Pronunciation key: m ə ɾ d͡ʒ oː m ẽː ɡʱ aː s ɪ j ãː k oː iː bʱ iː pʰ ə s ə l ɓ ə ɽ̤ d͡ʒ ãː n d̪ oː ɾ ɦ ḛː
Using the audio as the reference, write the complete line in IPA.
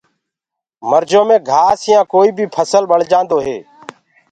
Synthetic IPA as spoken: m ə ɾ d͡ʒ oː m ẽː ɡʱ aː s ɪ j ãː k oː iː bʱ iː pʰ ə s ə l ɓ ə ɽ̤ d͡ʒ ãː n d̪ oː ɦ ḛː